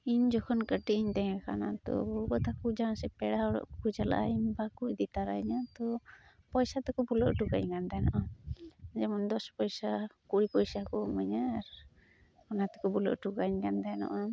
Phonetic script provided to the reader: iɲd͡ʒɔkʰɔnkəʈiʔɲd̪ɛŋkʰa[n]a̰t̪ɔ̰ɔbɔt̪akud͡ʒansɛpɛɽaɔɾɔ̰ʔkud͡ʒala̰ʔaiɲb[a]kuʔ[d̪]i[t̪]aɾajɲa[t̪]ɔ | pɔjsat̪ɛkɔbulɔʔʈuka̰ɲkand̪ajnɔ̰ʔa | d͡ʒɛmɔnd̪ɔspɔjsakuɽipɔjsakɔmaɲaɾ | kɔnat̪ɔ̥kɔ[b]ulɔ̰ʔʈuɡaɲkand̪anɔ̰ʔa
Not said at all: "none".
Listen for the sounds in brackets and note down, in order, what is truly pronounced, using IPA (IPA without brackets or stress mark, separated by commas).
n, a, d̪, t̪, t̪, b